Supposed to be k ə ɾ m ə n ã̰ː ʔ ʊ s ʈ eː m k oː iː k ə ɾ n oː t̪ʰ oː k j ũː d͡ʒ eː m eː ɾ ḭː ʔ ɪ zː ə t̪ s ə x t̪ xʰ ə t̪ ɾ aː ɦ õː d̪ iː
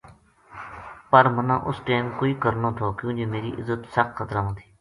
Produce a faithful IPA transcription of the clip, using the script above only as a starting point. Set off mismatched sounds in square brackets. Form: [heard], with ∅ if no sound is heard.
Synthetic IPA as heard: [p] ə ɾ m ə n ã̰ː ʔ ʊ s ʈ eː m k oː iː k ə ɾ n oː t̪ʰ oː k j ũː d͡ʒ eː m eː ɾ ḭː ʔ ɪ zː ə t̪ s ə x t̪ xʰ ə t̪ ɾ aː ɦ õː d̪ iː

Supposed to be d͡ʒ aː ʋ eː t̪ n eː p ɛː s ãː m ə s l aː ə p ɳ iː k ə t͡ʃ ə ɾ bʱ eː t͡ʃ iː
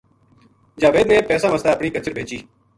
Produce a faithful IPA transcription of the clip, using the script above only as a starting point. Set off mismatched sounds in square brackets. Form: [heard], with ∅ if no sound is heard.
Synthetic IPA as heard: d͡ʒ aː ʋ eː [d̪] n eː p ɛː s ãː m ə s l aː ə p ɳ iː k ə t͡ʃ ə ɾ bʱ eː t͡ʃ iː

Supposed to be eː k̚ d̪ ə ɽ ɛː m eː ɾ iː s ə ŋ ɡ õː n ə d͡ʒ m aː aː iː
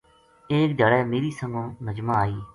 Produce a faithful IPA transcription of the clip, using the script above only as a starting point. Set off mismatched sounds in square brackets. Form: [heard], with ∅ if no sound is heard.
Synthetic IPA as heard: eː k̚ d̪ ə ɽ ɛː m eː ɾ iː s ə ŋ ɡ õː n ə d͡ʒ m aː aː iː

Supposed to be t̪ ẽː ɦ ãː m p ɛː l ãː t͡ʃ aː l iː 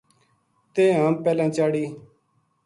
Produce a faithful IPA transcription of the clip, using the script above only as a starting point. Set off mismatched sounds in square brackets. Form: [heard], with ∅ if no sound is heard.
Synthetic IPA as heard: t̪ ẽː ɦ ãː m p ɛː l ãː t͡ʃ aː [ɽ] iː

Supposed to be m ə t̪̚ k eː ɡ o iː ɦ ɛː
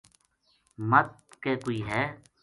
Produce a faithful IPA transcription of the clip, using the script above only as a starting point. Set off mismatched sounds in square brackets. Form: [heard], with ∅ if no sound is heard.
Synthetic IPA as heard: m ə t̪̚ k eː [k] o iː ɦ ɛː

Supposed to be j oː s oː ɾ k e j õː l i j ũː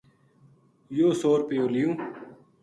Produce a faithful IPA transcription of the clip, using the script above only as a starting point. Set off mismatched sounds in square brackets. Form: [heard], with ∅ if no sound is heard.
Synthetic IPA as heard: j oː s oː ɾ [p] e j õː l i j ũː

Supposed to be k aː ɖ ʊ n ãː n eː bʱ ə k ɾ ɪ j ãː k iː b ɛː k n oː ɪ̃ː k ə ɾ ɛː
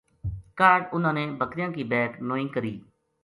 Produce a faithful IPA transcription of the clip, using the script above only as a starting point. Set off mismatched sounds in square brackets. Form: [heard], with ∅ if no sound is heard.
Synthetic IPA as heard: k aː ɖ ʊ n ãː n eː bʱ ə k ɾ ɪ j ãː k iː b ɛː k n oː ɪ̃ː k ə ɾ [iː]

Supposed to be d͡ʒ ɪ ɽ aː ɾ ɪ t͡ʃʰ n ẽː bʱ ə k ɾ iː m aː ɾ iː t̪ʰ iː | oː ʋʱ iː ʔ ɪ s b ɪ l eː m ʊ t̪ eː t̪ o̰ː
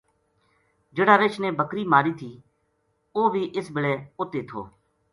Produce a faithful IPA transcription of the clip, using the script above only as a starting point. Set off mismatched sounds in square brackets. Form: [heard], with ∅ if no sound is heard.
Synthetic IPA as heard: d͡ʒ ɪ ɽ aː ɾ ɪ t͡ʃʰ n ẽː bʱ ə k ɾ iː m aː ɾ iː t̪ʰ iː | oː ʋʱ iː ʔ ɪ s b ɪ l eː [∅] ʊ t̪ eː [t̪ʰ] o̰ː

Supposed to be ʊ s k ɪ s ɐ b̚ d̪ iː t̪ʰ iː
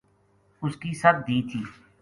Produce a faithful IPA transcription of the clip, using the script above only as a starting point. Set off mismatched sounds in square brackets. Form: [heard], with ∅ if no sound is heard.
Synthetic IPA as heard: ʊ s k [i] s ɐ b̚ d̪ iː t̪ʰ iː

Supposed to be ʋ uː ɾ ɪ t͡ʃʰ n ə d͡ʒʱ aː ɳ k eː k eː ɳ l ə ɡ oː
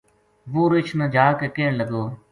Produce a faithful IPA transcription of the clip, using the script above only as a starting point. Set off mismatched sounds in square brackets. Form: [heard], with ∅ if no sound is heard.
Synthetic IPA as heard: ʋ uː ɾ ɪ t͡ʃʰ n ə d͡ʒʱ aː [∅] k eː k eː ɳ l ə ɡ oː

